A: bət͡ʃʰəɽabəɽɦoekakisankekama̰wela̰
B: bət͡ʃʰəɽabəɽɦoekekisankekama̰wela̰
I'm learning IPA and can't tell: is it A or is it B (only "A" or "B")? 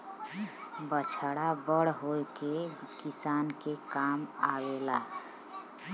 B